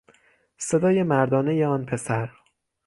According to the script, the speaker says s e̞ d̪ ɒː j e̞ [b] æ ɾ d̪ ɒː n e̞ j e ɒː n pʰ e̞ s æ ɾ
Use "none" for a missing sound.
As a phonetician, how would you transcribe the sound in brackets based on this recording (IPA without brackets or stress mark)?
m